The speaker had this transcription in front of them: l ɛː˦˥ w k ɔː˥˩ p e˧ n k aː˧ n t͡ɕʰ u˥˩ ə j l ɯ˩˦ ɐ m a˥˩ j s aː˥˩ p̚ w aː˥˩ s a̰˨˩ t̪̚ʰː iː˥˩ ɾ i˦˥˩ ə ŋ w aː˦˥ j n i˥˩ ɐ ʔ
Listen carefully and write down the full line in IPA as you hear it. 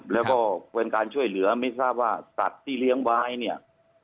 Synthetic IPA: l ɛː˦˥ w k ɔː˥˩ p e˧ n k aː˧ n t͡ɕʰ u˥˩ ə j l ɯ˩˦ ɐ m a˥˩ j s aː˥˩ p̚ w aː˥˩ s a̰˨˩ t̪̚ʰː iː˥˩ l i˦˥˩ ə ŋ w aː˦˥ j n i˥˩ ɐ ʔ